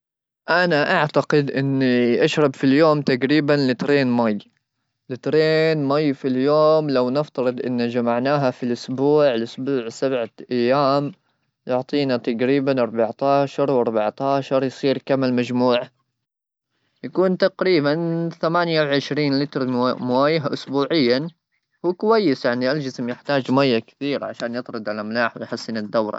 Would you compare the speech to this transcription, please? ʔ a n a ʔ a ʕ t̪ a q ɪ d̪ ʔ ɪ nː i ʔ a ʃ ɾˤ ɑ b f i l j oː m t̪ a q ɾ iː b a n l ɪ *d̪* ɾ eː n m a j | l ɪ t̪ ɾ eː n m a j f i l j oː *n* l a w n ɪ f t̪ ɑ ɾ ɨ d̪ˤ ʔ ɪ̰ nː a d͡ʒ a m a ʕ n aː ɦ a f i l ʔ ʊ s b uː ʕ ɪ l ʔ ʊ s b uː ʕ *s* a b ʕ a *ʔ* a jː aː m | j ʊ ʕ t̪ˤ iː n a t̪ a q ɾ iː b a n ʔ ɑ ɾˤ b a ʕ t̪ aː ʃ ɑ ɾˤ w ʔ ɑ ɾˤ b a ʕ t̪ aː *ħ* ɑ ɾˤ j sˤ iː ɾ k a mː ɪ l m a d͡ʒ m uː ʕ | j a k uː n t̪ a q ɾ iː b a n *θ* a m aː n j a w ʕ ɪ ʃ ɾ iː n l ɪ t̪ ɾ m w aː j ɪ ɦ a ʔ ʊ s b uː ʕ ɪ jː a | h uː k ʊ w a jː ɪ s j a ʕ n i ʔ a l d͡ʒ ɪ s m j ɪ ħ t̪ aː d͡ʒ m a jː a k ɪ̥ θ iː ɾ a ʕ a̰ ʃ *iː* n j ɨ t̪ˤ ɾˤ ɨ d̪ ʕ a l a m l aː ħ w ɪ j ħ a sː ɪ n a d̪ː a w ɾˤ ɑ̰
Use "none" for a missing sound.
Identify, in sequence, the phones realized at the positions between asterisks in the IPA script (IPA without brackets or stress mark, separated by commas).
t̪, m, s, ʔ, ʃ, θ, aː